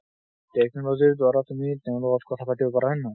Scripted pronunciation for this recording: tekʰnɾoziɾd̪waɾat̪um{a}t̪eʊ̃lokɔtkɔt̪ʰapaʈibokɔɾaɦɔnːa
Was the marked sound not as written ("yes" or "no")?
yes